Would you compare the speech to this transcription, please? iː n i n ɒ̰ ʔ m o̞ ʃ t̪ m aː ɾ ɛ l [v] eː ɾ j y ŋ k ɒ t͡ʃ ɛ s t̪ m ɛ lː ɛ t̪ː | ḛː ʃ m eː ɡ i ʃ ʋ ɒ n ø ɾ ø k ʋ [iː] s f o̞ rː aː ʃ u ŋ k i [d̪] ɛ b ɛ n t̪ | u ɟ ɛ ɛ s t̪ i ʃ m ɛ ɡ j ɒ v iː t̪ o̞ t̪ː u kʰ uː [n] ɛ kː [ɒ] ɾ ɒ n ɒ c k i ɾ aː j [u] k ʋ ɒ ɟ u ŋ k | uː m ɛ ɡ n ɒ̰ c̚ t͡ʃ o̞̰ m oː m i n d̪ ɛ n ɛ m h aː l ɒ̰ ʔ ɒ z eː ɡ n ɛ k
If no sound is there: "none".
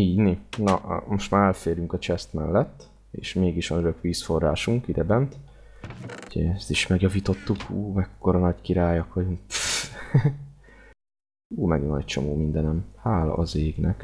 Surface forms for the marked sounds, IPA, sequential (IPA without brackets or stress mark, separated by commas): f, iː, d̪, m, o, ɒ